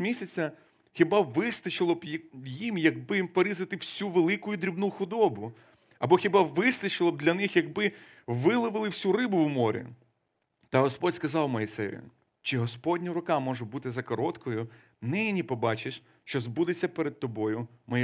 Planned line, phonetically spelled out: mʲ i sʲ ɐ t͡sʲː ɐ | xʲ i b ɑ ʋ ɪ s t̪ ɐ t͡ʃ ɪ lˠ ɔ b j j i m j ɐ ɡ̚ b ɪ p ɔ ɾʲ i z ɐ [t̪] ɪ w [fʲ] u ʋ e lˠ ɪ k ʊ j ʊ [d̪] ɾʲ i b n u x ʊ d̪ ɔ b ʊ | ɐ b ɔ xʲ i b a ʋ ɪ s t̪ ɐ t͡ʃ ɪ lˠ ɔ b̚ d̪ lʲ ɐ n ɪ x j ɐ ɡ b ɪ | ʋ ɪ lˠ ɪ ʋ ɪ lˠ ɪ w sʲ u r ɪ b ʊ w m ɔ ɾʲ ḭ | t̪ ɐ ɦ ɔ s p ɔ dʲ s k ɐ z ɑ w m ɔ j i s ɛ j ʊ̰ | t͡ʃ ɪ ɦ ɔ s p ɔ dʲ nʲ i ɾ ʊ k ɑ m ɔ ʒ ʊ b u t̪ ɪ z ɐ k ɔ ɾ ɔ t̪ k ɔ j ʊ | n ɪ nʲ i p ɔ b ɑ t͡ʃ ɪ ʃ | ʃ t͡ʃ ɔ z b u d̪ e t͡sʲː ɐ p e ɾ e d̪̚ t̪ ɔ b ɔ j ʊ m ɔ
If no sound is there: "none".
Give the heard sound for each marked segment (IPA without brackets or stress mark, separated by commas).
t̪, sʲ, d̪